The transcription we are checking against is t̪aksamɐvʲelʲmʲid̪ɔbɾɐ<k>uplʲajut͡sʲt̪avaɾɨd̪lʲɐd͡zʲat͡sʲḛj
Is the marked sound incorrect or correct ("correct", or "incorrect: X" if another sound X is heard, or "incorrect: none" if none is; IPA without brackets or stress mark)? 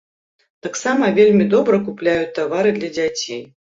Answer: correct